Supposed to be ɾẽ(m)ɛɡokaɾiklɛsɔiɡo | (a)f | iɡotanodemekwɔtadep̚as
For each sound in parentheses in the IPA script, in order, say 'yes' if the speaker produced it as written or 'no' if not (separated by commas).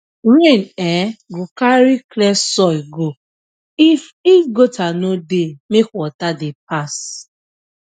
no, no